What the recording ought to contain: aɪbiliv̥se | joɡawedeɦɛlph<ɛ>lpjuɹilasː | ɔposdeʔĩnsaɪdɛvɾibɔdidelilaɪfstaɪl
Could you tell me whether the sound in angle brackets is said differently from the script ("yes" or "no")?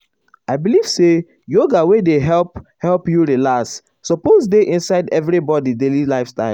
no